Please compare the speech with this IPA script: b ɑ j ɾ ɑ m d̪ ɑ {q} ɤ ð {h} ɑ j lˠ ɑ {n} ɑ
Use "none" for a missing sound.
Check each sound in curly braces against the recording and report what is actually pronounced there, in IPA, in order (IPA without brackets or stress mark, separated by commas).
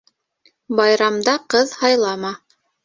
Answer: q, h, m